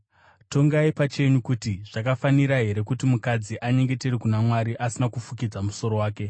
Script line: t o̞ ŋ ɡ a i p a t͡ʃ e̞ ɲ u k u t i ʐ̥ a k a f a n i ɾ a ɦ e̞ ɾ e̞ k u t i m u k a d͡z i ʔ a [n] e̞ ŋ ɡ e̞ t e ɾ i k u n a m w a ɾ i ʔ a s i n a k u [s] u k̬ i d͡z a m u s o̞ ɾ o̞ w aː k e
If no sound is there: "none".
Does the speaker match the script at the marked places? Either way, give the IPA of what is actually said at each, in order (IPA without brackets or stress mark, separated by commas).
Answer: ɲ, f